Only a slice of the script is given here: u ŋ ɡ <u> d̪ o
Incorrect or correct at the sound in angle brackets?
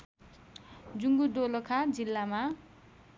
correct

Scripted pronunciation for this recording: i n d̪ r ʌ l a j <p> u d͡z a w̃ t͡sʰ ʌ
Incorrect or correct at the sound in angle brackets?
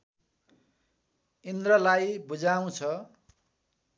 incorrect: b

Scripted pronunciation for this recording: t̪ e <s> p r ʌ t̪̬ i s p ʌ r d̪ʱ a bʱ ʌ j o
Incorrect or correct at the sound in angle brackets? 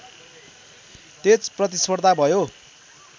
incorrect: t͡s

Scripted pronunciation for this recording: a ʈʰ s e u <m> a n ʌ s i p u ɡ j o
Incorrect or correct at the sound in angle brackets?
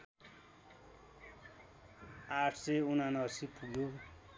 incorrect: n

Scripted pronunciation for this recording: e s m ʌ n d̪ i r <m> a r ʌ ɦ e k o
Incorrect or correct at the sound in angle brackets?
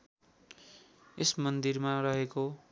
correct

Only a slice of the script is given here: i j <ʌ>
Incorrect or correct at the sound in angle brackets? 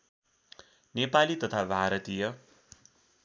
correct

